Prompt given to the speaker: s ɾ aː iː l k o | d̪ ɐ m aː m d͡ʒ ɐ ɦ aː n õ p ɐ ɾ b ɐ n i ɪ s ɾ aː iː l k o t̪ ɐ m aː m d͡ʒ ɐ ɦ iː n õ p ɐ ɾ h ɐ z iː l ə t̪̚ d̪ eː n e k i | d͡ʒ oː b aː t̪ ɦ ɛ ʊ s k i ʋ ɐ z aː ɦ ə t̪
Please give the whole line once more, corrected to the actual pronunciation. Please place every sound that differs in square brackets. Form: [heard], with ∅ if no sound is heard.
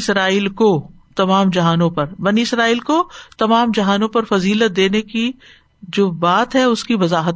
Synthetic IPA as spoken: s ɾ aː iː l k o | [t̪] ɐ m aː m d͡ʒ ɐ ɦ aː n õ p ɐ ɾ b ɐ n i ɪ s ɾ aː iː l k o t̪ ɐ m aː m d͡ʒ ɐ ɦ [aː] n õ p ɐ ɾ [f] ɐ z iː l ə t̪̚ d̪ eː n e k i | d͡ʒ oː b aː t̪ ɦ ɛ ʊ s k i ʋ ɐ z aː ɦ ə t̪